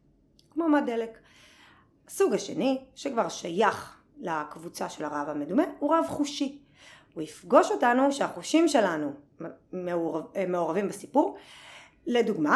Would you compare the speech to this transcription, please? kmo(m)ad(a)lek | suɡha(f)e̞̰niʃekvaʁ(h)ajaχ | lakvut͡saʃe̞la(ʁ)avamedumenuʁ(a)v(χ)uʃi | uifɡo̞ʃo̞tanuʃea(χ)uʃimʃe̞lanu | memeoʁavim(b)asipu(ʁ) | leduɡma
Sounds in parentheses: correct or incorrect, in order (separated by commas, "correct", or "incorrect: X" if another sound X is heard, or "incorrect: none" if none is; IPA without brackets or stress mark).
correct, incorrect: e, incorrect: ʃ, incorrect: ʃ, correct, correct, correct, correct, correct, correct